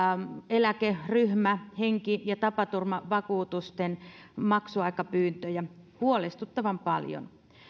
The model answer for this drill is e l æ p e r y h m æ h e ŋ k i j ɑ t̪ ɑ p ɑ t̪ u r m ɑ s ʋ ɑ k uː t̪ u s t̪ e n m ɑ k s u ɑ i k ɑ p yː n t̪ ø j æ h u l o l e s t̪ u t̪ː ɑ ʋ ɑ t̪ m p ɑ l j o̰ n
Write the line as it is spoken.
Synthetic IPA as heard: e l æ k e r y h m æ h e ŋ k i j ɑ t̪ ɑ p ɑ t̪ u r m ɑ ʋ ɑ k uː t̪ u s t̪ e n m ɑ k s u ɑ i k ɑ p yː n t̪ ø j æ h u o l e s t̪ u t̪ː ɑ ʋ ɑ m p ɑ l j o̰ n